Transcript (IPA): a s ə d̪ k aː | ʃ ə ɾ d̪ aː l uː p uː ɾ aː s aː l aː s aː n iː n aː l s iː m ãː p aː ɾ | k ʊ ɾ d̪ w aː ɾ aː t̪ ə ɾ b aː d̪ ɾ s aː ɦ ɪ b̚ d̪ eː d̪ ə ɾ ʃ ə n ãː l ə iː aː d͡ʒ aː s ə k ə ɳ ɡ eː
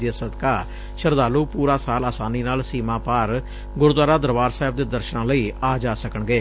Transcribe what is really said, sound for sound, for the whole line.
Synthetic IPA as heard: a s ə d̪ k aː | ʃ ə ɾ d̪ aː l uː p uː ɾ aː s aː l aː s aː n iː n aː l s iː m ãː p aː ɾ | ɡ ʊ ɾ d̪ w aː ɾ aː d̪ ə ɾ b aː ɾ s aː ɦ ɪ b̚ d̪ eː d̪ ə ɾ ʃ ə n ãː l ə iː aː d͡ʒ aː s ə k ə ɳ ɡ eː